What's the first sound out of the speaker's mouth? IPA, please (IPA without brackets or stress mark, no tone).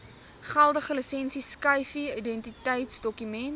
χ